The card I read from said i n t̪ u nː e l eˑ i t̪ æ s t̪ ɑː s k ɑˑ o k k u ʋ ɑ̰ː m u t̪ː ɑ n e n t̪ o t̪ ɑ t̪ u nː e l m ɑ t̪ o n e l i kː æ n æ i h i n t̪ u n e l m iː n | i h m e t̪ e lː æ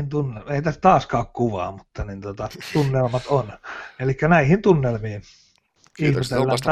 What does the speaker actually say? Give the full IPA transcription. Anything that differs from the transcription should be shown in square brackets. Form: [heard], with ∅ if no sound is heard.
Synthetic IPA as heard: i n t̪ u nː e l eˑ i t̪ æ s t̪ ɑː s k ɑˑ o k k u ʋ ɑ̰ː m u t̪ː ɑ n [i] n t̪ o t̪ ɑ t̪ u nː e l m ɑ t̪ o n e l i kː æ n æ i h i n t̪ u [nː] e l m iː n | i h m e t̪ e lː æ